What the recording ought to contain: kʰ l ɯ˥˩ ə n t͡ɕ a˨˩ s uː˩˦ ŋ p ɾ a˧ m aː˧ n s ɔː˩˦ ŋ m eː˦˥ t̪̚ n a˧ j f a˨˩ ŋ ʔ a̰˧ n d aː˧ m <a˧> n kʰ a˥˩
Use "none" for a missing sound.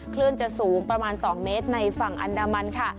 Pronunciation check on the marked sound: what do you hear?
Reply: a˧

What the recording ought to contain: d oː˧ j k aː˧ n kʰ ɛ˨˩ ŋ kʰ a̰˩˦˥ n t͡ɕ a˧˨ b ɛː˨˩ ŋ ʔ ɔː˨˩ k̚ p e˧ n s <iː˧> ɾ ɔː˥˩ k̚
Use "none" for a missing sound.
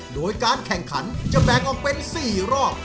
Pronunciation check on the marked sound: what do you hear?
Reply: iː˨˩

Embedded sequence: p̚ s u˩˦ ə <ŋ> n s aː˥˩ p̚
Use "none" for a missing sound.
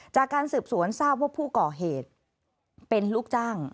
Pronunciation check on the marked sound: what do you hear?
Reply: none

